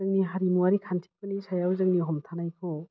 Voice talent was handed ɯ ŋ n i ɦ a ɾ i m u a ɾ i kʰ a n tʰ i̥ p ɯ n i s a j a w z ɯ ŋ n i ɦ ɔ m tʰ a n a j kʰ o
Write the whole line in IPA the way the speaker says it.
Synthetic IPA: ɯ ŋ n i ɦ a ɾ i m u a ɾ i kʰ a n tʰ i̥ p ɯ n i s a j a w z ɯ ŋ n i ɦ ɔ m tʰ a n a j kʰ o